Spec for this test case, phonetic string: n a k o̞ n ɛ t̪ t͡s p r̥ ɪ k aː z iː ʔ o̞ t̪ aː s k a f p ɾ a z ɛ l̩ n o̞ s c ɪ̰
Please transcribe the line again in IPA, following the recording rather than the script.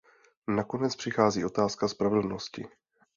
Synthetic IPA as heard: n a k o̞ n ɛ t͡s p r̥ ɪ x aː z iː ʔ o̞ t̪ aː s k a s p ɾ a v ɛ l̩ n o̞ s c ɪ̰

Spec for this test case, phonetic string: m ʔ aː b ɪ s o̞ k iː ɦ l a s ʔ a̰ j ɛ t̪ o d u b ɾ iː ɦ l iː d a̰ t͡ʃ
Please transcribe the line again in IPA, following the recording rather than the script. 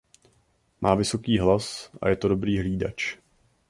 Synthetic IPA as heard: m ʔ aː v ɪ s o̞ k iː ɦ l a s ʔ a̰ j ɛ t̪ o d o b ɾ iː ɦ l iː d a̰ t͡ʃ

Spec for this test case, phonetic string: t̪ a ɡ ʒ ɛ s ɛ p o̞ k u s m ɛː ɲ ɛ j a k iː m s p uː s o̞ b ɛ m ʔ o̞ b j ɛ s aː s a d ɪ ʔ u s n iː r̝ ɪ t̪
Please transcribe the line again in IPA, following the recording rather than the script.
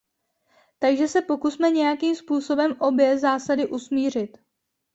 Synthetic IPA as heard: t̪ a ɡ ʒ ɛ s ɛ p o̞ k u s m ɛ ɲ ɛ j a k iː m s p uː s o̞ b ɛ m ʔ o̞ b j ɛ z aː s a d ɪ ʔ u s m iː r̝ ɪ t̪

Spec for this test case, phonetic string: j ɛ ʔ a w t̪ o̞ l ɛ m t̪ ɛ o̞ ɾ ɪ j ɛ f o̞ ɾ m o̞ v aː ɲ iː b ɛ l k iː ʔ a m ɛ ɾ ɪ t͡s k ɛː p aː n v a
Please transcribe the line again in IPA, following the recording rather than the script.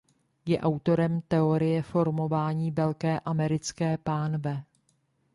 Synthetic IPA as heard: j ɛ ʔ a w t̪ o̞ ɾ ɛ m t̪ ɛ o̞ ɾ ɪ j ɛ f o̞ ɾ m o̞ v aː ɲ iː v ɛ l k ɛː ʔ a m ɛ ɾ ɪ t͡s k ɛː p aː n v ɛ

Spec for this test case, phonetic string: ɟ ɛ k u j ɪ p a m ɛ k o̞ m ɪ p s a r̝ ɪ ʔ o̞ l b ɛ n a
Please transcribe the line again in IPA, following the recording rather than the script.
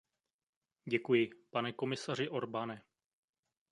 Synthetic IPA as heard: ɟ ɛ k u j ɪ p a n ɛ k o̞ m ɪ s a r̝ ɪ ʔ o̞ ɾ b a n ɛ

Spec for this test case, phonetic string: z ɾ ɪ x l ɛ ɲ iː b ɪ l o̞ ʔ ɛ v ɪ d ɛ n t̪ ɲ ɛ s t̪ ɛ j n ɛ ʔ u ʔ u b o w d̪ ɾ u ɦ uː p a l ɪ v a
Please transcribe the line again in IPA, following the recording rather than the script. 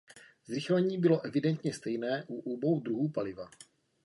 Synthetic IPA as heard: z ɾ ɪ x l ɛ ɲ iː b ɪ l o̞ ʔ ɛ v ɪ d ɛ n t̪ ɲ ɛ s t̪ ɛ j n ɛː ʔ u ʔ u b o w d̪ ɾ u ɦ uː p a l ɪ v a

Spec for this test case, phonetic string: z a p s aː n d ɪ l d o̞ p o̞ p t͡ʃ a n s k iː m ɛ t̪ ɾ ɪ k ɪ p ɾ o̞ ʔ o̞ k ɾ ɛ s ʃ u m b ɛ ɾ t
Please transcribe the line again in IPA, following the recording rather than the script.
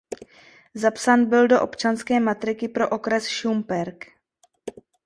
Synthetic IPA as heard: z a p s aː n b ɪ l d o̞ ʔ o̞ p t͡ʃ a n s k ɛː m a t̪ ɾ ɪ k ɪ p ɾ o̞ ʔ o̞ k ɾ ɛ s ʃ u m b ɛ ɾ k

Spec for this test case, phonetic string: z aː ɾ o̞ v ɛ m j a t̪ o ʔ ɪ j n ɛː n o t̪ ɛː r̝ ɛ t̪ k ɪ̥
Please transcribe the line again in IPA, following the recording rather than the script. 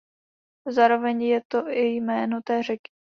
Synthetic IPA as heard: z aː ɾ o̞ v ɛ ɲ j ɛ t̪ o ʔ ɪ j m ɛː n o t̪ ɛː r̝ ɛ k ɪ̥

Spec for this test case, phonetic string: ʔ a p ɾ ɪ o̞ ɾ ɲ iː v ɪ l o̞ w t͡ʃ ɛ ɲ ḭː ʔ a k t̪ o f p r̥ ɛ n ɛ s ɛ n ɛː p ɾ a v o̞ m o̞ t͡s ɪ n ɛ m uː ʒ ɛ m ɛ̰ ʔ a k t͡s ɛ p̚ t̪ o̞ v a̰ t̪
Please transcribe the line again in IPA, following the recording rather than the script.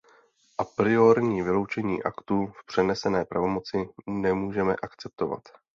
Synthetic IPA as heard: ʔ a p ɾ ɪ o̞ ɾ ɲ iː v ɪ l o̞ w t͡ʃ ɛ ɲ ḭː ʔ a k t̪ u f p r̥ ɛ n ɛ s ɛ n ɛː p ɾ a v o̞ m o̞ t͡s ɪ n ɛ m uː ʒ ɛ m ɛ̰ ʔ a k t͡s ɛ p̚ t̪ o̞ v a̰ t̪

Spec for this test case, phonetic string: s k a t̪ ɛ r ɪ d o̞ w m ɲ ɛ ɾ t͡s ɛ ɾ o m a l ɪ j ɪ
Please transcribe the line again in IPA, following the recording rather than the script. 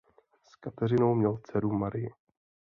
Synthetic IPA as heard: s k a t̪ ɛ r ɪ n o̞ w m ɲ ɛ l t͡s ɛ ɾ u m a ɾ ɪ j ɪ

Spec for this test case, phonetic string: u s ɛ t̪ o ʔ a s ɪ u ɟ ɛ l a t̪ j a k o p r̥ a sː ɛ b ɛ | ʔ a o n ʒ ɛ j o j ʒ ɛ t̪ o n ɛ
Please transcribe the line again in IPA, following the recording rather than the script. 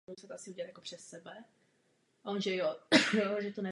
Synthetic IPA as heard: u s ɛ t̪ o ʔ a s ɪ u ɟ ɛ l a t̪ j a k o p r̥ ɛ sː ɛ b ɛ | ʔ a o n ʒ ɛ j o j ʒ ɛ t̪ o n ɛ

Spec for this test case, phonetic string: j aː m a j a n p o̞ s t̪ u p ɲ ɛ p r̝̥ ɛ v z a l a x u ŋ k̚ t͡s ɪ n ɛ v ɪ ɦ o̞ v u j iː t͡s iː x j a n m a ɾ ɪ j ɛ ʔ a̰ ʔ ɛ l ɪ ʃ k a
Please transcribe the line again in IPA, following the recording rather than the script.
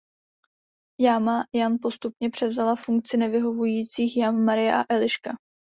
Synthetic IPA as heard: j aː m a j a n p o̞ s t̪ u p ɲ ɛ p r̝̥ ɛ v z a l a f u ŋ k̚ t͡s ɪ n ɛ v ɪ ɦ o̞ v u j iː t͡s iː x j a n m a ɾ ɪ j ɛ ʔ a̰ ʔ ɛ l ɪ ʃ k a

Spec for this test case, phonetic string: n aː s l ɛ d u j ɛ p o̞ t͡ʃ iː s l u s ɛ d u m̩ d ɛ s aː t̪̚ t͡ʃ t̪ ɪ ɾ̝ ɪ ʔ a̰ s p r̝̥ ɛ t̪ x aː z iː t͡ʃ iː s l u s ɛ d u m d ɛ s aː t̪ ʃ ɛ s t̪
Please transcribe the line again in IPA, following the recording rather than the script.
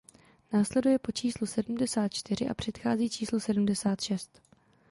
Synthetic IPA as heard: n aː s l ɛ d u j ɛ p o̞ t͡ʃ iː s l u s ɛ d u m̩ d ɛ s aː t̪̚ t͡ʃ t̪ ɪ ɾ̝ ɪ ʔ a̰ p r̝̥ ɛ t̪ x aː z iː t͡ʃ iː s l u s ɛ d u m d ɛ s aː t̪ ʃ ɛ s t̪

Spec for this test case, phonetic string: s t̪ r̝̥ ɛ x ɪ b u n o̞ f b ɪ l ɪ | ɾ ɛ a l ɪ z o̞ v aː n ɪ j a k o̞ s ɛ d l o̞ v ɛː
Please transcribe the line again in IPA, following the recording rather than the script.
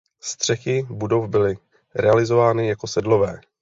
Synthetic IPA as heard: s t̪ r̝̥ ɛ x ɪ b u d o̞ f b ɪ l ɪ | ɾ ɛ a l ɪ z o̞ v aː n ɪ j a k o̞ s ɛ d l o̞ v ɛː

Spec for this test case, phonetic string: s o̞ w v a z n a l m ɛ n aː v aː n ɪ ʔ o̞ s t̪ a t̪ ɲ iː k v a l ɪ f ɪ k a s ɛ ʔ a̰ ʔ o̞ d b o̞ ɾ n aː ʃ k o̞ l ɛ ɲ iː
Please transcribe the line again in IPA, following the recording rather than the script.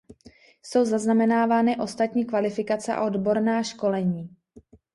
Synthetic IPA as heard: s o̞ w z a z n a m ɛ n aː v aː n ɪ ʔ o̞ s t̪ a t̪ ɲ iː k v a l ɪ f ɪ k a t͡s ɛ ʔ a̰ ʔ o̞ d b o̞ ɾ n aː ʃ k o̞ l ɛ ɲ iː

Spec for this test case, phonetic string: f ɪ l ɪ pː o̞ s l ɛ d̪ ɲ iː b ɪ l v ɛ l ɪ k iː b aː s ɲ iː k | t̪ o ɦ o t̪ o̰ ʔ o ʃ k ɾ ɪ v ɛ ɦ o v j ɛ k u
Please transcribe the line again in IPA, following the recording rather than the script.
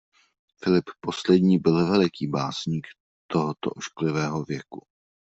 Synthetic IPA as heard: f ɪ l ɪ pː o̞ s l ɛ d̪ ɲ iː b ɪ l v ɛ l ɪ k iː b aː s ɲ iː k | t̪ o ɦ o t̪ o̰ ʔ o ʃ k l ɪ v ɛː ɦ o v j ɛ k u

